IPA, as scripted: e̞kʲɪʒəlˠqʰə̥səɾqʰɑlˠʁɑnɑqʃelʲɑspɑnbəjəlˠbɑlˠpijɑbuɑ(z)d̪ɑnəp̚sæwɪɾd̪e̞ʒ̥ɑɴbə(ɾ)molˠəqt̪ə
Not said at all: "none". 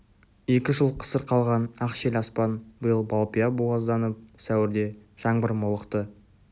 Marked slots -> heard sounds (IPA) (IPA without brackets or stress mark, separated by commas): z, ɾ